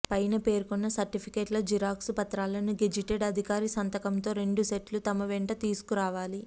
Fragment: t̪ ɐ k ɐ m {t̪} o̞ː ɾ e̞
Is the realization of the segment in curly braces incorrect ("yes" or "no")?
no